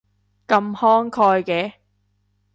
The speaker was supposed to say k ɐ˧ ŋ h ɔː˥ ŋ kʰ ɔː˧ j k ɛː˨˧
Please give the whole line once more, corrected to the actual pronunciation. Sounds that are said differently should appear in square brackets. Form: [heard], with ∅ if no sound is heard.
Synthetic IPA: k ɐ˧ [m] h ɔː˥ ŋ kʰ ɔː˧ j k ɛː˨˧